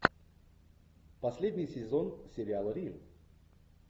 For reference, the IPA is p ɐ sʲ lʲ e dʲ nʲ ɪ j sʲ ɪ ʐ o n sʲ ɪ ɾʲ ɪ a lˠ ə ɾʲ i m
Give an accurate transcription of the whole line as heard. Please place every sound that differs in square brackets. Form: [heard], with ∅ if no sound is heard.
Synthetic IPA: p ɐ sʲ lʲ e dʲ nʲ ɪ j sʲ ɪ [z] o n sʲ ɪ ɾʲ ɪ a lˠ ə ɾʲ i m